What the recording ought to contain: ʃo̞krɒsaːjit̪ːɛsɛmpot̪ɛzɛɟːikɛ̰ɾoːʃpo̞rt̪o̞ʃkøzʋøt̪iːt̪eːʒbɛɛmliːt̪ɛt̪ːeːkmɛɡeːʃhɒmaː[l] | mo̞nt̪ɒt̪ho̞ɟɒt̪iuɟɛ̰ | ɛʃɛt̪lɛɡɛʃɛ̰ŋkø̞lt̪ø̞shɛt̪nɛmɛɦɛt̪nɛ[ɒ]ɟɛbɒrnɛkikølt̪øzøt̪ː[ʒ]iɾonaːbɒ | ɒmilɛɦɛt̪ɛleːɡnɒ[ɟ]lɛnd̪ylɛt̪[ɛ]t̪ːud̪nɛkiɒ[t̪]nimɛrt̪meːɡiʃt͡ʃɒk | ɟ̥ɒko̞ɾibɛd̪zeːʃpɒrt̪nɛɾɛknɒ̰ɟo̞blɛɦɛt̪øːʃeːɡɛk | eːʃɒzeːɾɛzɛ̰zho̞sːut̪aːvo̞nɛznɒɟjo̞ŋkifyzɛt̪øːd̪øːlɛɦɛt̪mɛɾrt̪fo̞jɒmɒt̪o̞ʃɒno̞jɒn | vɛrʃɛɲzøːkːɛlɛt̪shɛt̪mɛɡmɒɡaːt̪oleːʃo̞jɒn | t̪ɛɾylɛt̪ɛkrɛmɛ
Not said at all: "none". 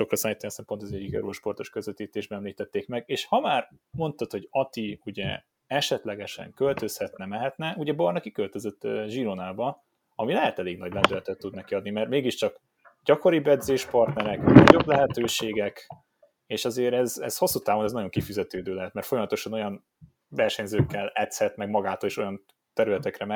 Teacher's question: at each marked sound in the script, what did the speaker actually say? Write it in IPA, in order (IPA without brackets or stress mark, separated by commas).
r, u, ʒ, ɟ, ɛ, d̪